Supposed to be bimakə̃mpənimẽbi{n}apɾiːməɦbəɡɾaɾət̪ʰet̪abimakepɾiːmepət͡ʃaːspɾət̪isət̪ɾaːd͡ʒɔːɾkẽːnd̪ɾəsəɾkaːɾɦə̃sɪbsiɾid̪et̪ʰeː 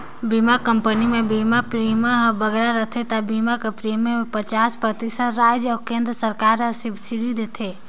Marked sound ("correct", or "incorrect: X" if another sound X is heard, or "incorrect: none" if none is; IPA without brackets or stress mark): incorrect: m